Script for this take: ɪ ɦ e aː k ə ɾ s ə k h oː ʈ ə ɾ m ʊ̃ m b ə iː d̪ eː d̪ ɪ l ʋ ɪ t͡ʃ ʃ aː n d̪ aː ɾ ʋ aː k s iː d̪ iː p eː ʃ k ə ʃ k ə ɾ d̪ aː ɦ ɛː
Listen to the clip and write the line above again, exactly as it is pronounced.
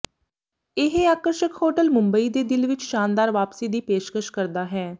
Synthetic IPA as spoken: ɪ ɦ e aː k ə ɾ ʃ ə k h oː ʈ ə l m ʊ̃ m b ə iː d̪ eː d̪ ɪ l ʋ ɪ t͡ʃ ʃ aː n d̪ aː ɾ ʋ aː p s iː d̪ iː p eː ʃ k ə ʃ k ə ɾ d̪ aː ɦ ɛː